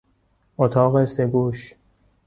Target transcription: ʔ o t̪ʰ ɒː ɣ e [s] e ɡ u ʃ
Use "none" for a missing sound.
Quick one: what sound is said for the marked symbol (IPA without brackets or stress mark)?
s